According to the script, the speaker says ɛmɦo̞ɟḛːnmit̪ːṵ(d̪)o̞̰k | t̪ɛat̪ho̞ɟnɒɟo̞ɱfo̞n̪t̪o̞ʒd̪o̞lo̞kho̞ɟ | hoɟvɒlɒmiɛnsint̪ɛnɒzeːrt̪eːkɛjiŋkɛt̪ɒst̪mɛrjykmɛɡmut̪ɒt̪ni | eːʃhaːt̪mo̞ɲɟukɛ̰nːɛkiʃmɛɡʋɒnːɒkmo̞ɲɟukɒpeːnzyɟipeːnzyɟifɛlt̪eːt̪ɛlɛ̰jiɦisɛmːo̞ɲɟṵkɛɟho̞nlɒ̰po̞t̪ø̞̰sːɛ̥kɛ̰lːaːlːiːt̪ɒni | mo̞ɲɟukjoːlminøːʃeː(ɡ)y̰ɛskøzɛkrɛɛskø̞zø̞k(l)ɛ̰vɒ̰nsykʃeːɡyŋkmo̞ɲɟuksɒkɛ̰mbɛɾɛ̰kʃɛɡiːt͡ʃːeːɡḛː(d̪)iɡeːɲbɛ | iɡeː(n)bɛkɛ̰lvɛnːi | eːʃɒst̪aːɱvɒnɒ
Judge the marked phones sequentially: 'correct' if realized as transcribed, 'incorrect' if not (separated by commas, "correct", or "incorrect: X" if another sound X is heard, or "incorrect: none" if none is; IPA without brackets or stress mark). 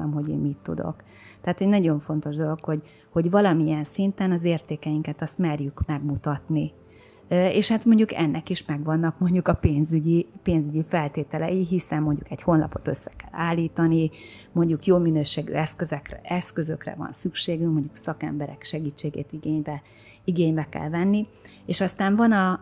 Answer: correct, correct, incorrect: r, incorrect: t̪, incorrect: ɲ